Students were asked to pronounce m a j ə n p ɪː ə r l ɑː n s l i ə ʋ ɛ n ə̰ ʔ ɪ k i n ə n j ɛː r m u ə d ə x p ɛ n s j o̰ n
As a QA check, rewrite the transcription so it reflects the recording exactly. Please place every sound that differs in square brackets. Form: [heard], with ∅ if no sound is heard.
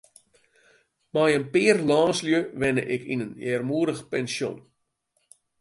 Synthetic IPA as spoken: m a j ə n p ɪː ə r l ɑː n s l [j] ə ʋ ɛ n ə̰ ʔ ɪ k i n ə n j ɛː r m u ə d ə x p ɛ n s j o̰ n